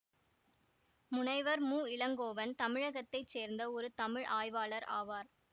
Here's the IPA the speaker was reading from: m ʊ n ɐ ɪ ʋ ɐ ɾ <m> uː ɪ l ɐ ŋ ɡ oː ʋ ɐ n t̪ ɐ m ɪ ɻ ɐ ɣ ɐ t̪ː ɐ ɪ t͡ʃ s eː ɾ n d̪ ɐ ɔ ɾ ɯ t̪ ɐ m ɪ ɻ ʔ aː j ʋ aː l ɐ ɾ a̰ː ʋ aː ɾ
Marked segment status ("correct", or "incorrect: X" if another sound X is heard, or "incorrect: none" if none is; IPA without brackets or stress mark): correct